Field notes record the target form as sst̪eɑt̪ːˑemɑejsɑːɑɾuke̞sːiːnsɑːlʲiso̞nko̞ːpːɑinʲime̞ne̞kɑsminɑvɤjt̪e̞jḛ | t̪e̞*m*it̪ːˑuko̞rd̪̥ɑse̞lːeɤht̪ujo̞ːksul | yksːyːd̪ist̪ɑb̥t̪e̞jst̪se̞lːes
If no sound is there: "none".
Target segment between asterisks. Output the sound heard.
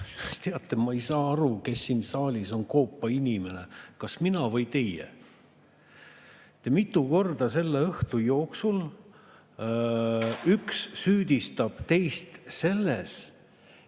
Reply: m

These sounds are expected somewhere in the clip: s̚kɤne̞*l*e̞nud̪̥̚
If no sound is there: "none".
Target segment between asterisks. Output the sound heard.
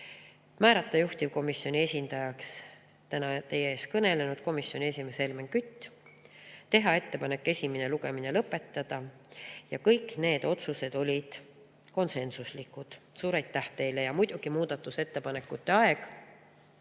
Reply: l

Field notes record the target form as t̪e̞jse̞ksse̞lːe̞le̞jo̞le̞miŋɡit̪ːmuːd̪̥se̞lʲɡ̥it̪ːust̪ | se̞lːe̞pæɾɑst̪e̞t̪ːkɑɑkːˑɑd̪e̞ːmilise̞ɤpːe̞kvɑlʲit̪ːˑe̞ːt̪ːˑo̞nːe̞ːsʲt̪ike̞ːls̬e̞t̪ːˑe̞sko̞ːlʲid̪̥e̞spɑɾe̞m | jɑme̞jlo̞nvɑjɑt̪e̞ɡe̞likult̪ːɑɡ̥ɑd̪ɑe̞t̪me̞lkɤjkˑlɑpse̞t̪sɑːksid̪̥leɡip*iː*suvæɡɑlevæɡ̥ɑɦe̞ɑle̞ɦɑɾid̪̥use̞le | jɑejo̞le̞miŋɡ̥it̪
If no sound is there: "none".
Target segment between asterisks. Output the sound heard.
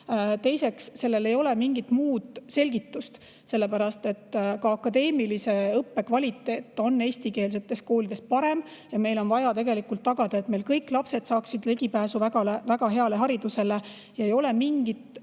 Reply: æː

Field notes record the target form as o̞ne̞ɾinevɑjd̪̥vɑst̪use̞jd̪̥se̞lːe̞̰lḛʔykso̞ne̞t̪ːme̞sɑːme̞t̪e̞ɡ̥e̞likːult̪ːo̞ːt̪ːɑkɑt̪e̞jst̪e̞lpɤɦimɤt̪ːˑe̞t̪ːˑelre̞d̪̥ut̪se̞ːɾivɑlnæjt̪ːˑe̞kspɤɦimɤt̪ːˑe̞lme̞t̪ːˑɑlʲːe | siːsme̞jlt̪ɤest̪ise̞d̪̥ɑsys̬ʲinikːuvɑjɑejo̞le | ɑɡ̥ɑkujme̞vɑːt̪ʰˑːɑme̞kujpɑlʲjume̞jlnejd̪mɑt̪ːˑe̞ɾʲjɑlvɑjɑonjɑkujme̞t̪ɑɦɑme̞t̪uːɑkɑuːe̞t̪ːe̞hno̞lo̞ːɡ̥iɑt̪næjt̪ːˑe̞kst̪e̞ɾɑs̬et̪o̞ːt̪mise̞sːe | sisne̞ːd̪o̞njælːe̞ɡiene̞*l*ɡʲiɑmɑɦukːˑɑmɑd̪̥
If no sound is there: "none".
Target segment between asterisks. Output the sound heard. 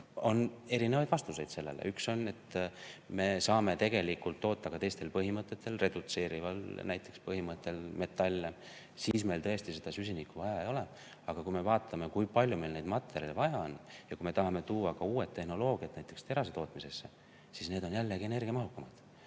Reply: r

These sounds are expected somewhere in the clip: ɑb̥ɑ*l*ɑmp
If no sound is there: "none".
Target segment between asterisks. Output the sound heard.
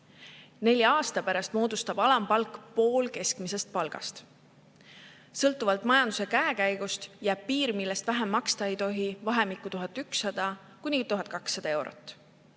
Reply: l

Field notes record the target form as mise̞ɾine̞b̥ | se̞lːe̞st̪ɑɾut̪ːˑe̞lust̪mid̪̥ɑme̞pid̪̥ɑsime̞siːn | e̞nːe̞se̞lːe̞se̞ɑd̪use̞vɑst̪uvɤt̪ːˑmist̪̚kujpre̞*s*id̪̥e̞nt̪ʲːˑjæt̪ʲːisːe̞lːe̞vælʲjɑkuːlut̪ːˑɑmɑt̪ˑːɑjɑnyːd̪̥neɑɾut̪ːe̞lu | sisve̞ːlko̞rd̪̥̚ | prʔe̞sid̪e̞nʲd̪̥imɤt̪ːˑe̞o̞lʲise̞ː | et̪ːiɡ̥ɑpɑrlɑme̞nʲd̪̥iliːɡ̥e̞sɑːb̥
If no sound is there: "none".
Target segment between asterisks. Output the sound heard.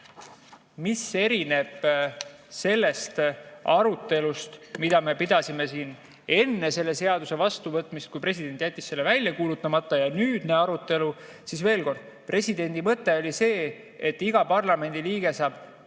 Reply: s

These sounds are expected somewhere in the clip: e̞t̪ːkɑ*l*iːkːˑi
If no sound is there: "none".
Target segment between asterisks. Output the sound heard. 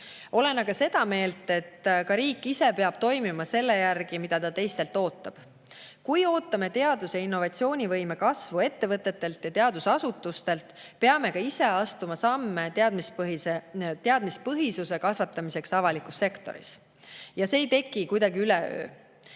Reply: ɾ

